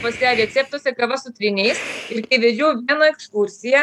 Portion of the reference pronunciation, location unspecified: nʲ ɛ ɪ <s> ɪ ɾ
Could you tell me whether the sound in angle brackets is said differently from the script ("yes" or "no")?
no